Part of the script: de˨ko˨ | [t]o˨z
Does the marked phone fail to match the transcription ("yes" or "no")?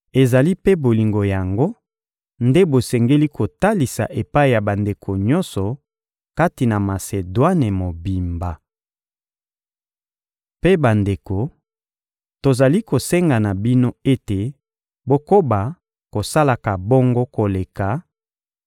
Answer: no